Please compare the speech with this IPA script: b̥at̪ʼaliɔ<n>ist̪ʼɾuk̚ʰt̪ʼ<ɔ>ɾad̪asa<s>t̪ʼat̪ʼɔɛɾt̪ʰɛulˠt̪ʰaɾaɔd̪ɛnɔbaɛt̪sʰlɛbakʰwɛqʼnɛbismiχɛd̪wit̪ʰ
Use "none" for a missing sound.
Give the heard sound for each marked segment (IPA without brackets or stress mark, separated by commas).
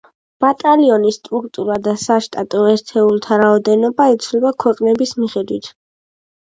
n, u, ʃ